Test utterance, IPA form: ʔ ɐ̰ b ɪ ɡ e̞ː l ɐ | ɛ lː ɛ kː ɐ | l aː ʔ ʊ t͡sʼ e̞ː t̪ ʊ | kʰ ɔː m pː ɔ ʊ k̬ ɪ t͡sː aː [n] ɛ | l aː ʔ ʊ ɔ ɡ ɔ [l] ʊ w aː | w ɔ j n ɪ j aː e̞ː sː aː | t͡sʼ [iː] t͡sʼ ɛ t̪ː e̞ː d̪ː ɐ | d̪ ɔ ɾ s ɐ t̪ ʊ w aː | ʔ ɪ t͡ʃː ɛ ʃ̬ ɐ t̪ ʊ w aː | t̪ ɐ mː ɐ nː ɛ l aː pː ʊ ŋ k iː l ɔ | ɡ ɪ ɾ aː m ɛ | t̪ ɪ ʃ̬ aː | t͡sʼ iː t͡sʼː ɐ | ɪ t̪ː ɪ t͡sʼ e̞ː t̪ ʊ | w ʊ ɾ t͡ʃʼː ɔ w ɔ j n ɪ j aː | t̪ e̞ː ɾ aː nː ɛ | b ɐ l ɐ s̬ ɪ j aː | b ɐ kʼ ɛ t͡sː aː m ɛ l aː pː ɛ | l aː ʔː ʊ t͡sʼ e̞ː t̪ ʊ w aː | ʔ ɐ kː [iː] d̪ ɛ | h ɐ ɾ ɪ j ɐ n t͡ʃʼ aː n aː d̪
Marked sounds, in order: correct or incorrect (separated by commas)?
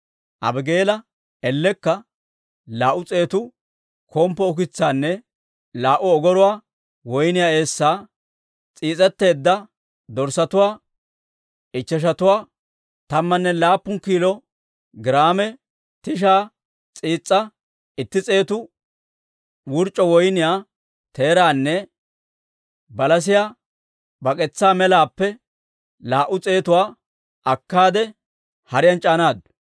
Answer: incorrect, incorrect, correct, incorrect